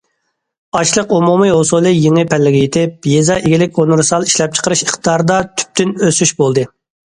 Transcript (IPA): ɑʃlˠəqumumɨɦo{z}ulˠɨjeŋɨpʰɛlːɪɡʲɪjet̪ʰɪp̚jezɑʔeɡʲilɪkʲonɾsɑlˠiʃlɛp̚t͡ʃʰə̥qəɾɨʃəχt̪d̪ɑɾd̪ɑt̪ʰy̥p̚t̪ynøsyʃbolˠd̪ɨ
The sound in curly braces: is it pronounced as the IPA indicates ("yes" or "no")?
no